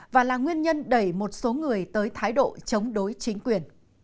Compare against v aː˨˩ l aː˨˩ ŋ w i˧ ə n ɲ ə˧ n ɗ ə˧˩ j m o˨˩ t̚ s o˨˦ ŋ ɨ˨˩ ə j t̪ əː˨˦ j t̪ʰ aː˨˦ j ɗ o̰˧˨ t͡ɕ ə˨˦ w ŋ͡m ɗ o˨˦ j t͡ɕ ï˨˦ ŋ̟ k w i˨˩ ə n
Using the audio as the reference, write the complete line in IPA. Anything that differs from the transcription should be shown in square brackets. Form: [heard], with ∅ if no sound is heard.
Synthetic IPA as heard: v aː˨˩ l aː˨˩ ŋ w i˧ ə n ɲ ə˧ n ɗ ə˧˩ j m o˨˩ t̚ s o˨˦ ŋ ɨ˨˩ ə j t̪ əː˨˦ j t̪ʰ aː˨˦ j ɗ o̰˧˨ t͡ɕ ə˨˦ w ŋ͡m ɗ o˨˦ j t͡ɕ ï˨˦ ŋ̟ k w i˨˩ ə n